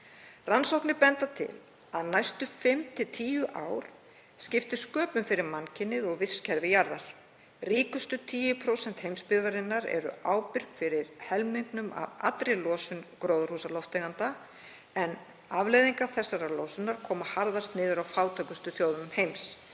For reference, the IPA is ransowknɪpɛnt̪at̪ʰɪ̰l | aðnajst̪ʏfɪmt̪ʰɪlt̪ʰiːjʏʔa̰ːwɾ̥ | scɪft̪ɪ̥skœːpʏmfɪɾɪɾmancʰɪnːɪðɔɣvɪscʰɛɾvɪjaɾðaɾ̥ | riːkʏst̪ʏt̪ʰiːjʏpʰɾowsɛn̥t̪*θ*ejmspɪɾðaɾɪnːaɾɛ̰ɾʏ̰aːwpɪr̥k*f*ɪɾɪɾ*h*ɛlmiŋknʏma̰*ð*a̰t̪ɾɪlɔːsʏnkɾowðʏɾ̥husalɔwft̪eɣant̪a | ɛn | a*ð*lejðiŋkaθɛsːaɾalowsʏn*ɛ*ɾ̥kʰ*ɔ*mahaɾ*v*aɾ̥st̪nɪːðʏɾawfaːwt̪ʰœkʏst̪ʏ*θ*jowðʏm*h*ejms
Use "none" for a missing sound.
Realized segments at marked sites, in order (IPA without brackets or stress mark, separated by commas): h, f, h, v, v, a, ɔː, ð, θ, h